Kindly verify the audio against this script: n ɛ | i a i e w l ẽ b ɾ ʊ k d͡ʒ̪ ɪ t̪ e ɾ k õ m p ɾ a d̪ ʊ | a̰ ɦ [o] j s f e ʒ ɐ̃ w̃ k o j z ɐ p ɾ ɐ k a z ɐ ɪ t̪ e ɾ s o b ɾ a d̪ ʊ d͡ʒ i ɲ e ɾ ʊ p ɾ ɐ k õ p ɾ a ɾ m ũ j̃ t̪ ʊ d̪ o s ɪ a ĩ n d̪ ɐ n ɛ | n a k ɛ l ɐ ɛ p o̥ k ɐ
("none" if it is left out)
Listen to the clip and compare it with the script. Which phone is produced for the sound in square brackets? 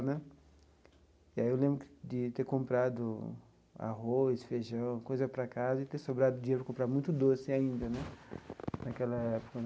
o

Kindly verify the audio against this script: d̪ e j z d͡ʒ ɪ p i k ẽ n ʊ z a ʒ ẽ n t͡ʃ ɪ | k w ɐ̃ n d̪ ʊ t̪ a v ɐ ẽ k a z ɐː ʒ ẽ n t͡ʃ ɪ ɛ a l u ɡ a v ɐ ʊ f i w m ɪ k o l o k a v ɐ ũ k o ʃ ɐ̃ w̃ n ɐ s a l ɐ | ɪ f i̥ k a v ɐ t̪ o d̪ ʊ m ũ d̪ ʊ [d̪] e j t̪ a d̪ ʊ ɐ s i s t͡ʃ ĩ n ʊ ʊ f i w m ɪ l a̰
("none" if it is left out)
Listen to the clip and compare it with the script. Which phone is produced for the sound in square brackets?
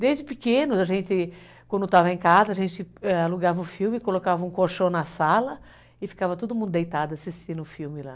d̪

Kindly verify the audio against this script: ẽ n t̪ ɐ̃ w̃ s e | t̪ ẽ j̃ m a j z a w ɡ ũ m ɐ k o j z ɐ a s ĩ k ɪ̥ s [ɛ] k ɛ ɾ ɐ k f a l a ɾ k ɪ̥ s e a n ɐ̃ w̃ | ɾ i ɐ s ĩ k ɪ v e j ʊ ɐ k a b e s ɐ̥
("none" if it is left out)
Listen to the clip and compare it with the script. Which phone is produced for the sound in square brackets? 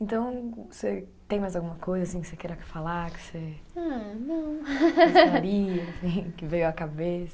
e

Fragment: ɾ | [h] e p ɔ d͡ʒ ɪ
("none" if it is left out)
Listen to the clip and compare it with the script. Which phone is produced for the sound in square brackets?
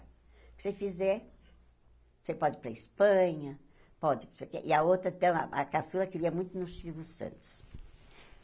s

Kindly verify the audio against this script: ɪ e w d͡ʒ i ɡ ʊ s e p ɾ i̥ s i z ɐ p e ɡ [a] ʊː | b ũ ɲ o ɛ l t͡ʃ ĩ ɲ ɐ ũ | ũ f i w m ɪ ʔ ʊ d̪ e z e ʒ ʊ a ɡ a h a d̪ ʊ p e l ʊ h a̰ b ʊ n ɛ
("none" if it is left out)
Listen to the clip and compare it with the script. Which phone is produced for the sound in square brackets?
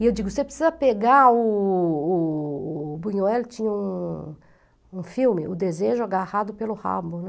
a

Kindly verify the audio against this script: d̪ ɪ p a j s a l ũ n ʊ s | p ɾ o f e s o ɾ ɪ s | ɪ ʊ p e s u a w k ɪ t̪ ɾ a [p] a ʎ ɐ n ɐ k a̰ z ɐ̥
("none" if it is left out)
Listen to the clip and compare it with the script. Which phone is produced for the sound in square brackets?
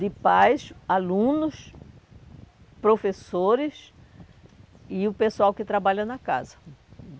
b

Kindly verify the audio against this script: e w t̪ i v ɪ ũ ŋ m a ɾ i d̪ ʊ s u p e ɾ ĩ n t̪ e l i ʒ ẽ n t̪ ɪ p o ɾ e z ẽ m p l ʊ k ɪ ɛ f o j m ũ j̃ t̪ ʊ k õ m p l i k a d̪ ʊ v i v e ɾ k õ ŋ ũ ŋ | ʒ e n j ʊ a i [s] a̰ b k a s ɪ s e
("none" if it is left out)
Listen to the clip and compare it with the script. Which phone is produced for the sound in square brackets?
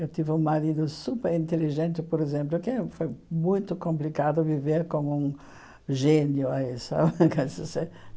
s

